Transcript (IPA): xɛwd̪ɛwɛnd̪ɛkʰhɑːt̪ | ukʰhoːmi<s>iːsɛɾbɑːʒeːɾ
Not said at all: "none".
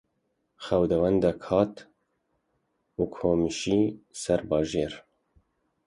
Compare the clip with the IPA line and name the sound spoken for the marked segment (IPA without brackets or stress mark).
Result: ʃ